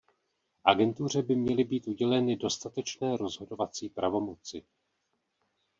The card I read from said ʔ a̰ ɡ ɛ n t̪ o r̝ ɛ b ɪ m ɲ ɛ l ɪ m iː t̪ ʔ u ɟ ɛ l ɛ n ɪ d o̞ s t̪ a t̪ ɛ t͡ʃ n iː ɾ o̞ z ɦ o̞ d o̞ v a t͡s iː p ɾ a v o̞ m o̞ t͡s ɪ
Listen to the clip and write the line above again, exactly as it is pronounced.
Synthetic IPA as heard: ʔ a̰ ɡ ɛ n t̪ u r̝ ɛ b ɪ m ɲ ɛ l ɪ b iː t̪ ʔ u ɟ ɛ l ɛ n ɪ d o̞ s t̪ a t̪ ɛ t͡ʃ n ɛː ɾ o̞ z ɦ o̞ d o̞ v a t͡s iː p ɾ a v o̞ m o̞ t͡s ɪ